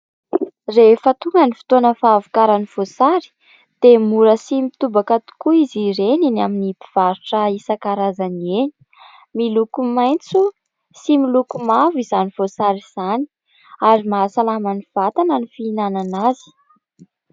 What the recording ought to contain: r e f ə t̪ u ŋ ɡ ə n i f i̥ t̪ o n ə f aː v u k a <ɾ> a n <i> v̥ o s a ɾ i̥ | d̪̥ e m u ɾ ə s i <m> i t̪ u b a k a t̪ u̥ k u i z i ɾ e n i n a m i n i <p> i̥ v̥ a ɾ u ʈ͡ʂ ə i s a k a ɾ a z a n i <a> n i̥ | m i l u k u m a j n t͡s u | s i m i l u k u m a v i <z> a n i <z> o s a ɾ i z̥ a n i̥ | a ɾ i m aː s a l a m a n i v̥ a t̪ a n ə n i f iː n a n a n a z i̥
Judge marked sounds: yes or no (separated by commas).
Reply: yes, yes, yes, yes, no, yes, no